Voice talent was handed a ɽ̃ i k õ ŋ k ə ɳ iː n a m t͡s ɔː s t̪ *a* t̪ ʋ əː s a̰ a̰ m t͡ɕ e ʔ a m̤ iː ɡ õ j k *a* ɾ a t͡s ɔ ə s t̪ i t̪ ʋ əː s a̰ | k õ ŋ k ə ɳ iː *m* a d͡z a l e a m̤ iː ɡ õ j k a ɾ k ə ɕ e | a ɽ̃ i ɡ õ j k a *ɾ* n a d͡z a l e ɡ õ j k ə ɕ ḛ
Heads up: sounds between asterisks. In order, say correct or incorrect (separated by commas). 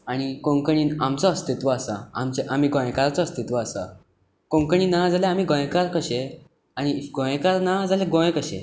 incorrect, correct, incorrect, correct